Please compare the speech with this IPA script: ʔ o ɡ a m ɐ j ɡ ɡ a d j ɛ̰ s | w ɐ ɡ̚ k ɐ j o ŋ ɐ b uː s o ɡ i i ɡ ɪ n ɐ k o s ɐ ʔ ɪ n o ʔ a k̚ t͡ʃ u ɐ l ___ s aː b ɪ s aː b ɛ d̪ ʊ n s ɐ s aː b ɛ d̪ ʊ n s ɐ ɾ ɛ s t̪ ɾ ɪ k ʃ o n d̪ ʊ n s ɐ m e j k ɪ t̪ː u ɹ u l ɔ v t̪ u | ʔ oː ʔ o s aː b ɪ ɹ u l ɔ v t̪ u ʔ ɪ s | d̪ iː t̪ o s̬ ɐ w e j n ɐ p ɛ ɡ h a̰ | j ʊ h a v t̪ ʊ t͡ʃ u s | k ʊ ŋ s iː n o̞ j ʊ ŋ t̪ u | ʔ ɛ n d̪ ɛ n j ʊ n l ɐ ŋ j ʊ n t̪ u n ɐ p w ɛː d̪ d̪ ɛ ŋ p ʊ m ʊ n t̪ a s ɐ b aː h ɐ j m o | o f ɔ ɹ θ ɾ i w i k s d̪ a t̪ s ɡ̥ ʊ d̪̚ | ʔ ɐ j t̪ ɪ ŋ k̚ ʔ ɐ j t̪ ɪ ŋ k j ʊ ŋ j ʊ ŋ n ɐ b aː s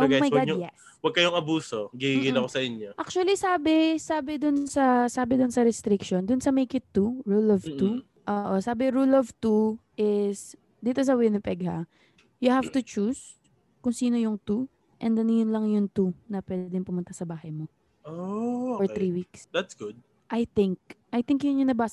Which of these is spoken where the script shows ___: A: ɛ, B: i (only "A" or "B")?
B